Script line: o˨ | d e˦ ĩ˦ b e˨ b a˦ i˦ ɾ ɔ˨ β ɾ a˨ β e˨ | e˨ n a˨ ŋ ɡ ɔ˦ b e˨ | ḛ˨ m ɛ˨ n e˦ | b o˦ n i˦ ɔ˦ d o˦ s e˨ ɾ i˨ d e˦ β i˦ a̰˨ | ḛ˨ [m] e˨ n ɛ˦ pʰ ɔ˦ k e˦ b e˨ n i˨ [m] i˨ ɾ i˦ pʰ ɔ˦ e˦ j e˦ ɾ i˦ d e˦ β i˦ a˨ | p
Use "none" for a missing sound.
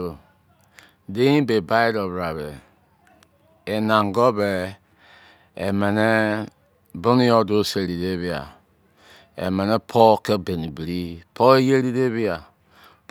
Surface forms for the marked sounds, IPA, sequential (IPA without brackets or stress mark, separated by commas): m, b